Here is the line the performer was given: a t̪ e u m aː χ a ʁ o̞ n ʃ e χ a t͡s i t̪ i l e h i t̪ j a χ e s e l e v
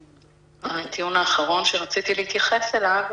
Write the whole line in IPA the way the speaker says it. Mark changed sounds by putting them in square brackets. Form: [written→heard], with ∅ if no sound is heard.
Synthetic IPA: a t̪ [e→i] u [m→n] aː χ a ʁ o̞ n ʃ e [χ→ʁ] a t͡s i t̪ i l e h i t̪ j a χ e s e l [e→a] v